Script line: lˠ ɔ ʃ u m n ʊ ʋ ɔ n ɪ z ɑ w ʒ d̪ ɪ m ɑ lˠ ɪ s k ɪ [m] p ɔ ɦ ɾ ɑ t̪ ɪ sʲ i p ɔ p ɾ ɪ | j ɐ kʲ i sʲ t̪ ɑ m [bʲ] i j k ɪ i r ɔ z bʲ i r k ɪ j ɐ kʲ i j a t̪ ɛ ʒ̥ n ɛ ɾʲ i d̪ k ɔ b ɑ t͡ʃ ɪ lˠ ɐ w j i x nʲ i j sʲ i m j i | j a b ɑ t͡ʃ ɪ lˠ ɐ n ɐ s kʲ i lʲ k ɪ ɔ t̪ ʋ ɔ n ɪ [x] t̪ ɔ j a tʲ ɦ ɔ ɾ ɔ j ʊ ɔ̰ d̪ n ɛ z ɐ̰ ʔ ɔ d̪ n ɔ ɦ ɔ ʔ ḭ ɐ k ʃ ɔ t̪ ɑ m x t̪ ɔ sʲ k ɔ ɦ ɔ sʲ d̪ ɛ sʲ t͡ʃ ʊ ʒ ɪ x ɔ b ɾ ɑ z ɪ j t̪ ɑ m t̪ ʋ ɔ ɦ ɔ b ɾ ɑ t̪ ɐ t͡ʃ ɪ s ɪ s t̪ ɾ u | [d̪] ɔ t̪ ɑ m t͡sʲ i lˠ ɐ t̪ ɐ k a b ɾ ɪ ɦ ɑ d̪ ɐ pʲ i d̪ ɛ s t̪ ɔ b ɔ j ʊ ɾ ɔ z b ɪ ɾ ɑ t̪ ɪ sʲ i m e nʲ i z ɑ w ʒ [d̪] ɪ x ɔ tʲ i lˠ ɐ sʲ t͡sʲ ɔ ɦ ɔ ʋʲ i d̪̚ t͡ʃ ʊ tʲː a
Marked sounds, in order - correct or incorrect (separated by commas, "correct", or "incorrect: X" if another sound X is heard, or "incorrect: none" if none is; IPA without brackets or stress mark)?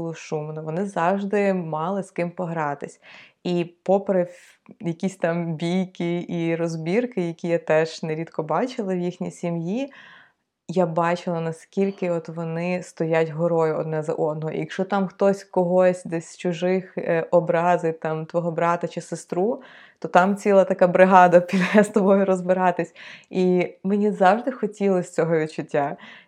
correct, correct, incorrect: s, incorrect: t̪, correct